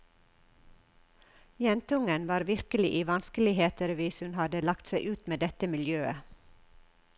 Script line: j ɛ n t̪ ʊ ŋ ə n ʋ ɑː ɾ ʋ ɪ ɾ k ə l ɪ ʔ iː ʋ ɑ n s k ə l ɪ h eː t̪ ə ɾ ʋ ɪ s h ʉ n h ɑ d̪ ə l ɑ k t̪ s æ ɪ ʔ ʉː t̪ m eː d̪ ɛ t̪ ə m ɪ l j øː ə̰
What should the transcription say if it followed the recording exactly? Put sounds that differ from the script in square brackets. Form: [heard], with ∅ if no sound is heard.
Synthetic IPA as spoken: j ɛ n t̪ ʊ ŋ ə n ʋ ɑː ɾ ʋ ɪ ɾ k ə l ɪ ʔ iː ʋ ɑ n s k ə l ɪ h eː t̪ ə ɾ ʋ ɪ s h ʉ n h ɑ d̪ ə l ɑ k t̪ s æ ɪ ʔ ʉː t̪ m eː d̪ ɛ t̪ ə m ɪ l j øː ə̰